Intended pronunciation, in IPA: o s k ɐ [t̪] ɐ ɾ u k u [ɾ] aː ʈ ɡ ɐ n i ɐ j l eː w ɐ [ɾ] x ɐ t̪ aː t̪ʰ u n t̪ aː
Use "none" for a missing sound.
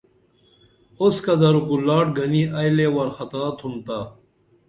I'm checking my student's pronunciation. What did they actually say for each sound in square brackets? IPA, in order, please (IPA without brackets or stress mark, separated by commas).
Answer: d̪, l, ɾ